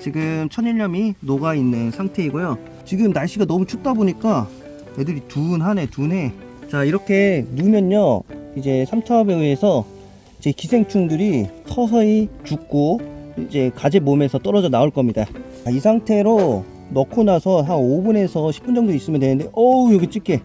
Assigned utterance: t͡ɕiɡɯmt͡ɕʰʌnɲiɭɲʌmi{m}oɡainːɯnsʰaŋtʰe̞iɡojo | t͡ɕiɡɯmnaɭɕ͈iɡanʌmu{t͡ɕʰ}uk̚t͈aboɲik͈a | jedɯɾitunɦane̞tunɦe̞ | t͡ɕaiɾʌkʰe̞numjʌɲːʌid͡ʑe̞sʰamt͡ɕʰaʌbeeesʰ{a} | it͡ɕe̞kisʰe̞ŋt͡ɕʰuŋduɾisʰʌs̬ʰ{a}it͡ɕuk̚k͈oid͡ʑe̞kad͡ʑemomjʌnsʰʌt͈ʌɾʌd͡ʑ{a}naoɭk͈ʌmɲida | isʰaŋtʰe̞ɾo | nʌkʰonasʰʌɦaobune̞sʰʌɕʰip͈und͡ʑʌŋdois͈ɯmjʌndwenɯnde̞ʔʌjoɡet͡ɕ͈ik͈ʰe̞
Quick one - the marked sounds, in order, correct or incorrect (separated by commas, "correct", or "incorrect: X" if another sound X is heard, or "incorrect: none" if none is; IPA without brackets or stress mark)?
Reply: incorrect: n, correct, incorrect: ʌ, incorrect: ʌ, incorrect: ʌ